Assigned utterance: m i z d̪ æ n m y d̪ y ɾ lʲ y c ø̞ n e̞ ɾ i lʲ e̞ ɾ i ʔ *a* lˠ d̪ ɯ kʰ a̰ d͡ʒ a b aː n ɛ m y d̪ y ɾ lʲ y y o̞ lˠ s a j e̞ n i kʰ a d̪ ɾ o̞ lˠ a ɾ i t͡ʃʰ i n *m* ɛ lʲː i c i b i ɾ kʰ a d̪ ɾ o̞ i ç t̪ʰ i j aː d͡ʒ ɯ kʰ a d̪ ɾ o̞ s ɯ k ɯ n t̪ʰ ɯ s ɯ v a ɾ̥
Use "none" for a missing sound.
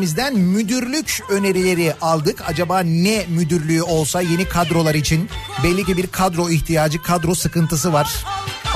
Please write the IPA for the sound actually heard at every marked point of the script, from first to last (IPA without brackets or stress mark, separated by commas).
a, b